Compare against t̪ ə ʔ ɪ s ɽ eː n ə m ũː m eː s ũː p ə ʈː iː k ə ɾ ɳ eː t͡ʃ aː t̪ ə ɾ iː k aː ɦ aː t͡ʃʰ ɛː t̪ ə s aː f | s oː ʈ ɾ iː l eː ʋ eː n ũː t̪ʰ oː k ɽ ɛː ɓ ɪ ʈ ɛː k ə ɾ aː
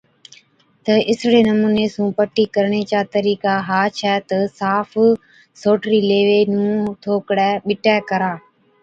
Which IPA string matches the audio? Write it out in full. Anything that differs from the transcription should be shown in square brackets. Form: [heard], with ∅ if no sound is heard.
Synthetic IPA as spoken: t̪ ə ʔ ɪ s ɽ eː n ə m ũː [n] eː s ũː p ə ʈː iː k ə ɾ ɳ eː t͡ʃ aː t̪ ə ɾ iː k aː ɦ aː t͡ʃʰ ɛː t̪ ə s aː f | s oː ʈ ɾ iː l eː ʋ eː n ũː t̪ʰ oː k ɽ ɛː ɓ ɪ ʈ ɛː k ə ɾ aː